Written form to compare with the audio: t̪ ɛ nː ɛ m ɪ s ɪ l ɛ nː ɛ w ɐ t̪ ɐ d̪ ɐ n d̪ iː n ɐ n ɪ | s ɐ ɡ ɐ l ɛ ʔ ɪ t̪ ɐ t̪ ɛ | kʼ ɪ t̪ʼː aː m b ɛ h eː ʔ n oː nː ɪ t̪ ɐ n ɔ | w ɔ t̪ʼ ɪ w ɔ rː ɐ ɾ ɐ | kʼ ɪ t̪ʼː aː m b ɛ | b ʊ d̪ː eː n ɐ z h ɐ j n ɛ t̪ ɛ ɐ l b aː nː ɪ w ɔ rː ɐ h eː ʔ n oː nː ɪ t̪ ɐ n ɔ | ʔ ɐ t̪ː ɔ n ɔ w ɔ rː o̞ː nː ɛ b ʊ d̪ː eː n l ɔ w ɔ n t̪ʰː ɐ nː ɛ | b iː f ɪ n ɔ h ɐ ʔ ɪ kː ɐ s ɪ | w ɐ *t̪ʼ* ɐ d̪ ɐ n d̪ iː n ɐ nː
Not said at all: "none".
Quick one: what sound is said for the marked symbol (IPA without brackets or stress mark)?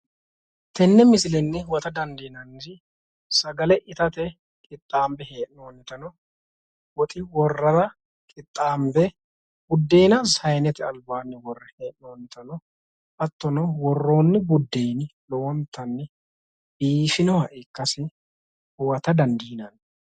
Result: t̪